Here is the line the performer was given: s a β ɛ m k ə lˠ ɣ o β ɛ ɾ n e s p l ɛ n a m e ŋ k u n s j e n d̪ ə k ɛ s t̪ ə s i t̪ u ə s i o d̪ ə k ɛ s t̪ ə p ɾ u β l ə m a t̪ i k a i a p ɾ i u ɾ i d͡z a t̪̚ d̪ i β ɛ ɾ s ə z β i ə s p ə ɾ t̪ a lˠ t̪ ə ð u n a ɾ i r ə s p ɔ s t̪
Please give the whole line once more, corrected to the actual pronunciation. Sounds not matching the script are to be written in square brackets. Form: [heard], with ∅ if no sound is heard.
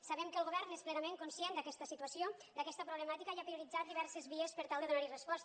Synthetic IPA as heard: s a β ɛ m k ə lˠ ɣ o β ɛ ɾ n e s p l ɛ n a m e ŋ k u n s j e n d̪ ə k ɛ s t̪ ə s i t̪ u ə s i o d̪ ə k ɛ s t̪ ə p ɾ u β l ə m a t̪ i k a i a p ɾ i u ɾ i d͡z a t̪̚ d̪ i β ɛ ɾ s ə z β i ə s p ə ɾ t̪ a lˠ [d̪] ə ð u n a ɾ i r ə s p ɔ s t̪